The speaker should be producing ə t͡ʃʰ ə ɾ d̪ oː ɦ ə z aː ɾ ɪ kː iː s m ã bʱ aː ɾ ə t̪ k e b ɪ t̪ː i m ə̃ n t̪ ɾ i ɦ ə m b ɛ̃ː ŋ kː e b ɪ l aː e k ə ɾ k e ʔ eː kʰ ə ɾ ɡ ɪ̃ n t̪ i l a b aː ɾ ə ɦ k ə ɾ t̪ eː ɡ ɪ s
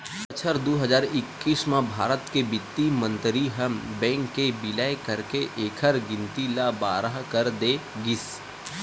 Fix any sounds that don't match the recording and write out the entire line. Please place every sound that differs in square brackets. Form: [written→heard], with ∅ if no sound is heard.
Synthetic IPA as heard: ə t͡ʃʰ ə ɾ d̪ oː ɦ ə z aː ɾ ɪ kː iː s m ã bʱ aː ɾ ə t̪ k e b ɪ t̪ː i m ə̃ n t̪ ɾ i ɦ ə m b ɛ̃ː ŋ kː e b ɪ l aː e k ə ɾ k e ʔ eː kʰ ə ɾ ɡ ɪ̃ n t̪ i l a b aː ɾ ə ɦ k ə ɾ [t̪→d̪] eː ɡ ɪ s